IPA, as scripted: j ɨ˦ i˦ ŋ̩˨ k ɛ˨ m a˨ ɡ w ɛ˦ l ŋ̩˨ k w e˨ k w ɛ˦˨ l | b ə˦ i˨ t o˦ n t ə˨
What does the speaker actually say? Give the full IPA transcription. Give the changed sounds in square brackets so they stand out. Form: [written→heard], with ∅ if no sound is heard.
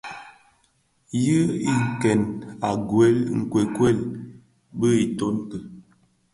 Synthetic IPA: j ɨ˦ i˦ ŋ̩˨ k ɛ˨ [m→n] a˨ ɡ w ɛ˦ l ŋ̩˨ k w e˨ k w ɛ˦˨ l | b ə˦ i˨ t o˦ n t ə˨